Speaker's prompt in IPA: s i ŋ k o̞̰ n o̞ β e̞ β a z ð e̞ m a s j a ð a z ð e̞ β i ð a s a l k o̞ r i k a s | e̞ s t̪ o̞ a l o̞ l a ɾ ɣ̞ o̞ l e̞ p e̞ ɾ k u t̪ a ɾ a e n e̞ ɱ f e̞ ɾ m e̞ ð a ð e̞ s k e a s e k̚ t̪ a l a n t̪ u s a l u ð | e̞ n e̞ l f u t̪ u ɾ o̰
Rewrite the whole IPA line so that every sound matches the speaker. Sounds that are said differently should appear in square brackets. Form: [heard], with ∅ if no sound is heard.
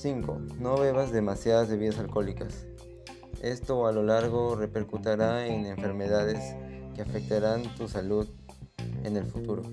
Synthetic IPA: s i ŋ k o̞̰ n o̞ β e̞ β a z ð e̞ m a s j a ð a z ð e̞ β i ð a s a l k o̞ [l] i k a s | e̞ s t̪ o̞ a l o̞ l a ɾ ɣ̞ o̞ [r] e̞ p e̞ ɾ k u t̪ a ɾ a e n e̞ ɱ f e̞ ɾ m e̞ ð a ð e̞ s k e a [f] e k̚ t̪ a [ɾ] a n t̪ u s a l u ð | e̞ n e̞ l f u t̪ u ɾ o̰